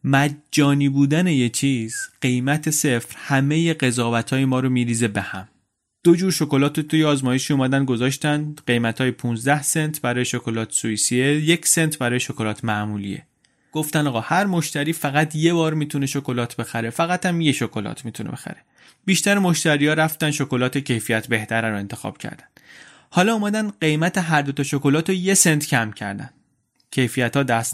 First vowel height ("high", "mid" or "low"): low